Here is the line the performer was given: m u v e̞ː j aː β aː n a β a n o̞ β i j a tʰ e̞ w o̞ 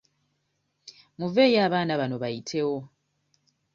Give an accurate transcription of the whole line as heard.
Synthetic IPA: m u v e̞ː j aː β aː n a β a n o̞ β a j i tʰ e̞ w o̞

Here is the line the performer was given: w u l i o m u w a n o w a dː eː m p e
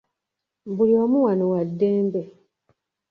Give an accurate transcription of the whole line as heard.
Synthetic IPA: b u l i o m u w a n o w a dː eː m b e

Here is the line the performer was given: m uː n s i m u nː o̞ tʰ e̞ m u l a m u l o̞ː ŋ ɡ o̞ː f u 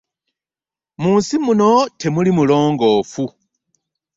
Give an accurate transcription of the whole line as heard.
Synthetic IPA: m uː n s i m u n o̞ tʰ e̞ m u l i m u l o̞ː ŋ ɡ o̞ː f u

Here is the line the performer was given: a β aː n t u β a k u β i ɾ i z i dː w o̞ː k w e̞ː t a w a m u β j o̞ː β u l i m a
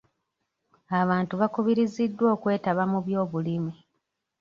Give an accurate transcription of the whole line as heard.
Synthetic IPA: a β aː n t u β a k u β i ɾ i z i dː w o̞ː k w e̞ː t a β a m u β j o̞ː β u l i m i

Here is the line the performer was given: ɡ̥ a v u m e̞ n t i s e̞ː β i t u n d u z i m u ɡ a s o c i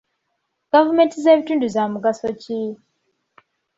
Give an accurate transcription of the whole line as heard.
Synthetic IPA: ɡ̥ a v u m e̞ n t i z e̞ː β i t uː n d u z a m u ɡ a s o c i

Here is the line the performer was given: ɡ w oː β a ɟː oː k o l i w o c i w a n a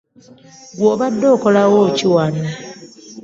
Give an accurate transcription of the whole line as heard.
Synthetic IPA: ɡ w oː β a dː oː k o l a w o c i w a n a

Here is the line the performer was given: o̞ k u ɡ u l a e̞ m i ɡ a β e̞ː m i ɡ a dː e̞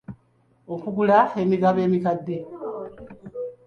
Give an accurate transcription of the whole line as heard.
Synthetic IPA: o̞ k u ɡ u l a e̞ m i ɡ a β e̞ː m i k a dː e̞

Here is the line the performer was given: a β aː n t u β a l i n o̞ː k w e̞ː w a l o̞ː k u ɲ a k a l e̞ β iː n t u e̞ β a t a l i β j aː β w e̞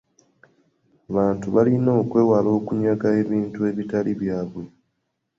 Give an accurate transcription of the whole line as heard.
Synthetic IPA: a β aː n t u β a l i n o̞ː k w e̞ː w a l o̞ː k u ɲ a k a e̞ β iː n t u e̞ β i t a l i β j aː β w e̞

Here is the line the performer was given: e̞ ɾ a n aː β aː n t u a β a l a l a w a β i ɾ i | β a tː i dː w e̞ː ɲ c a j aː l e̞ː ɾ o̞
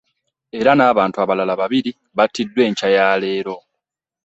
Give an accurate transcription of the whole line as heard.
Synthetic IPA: e̞ ɾ a n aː β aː n t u a β a l a l a β a β i ɾ i | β a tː i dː w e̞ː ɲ c a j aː l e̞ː ɾ o̞

